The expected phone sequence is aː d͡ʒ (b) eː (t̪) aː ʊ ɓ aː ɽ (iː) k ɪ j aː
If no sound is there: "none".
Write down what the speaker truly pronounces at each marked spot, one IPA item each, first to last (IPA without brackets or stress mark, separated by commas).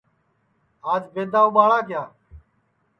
b, d̪, aː